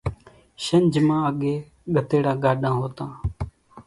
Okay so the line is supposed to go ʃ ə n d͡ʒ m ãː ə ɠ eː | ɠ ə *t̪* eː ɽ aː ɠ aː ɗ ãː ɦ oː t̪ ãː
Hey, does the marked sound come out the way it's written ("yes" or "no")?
yes